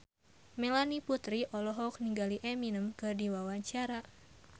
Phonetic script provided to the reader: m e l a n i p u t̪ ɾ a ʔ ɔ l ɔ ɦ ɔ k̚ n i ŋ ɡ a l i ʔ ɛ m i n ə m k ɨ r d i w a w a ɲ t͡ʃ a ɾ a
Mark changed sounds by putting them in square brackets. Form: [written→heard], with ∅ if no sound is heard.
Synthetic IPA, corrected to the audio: m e l a n i p u t̪ ɾ [a→i] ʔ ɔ l ɔ ɦ ɔ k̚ n i ŋ ɡ a l i ʔ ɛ m i n ə m k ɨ r d i w a w a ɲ t͡ʃ a ɾ a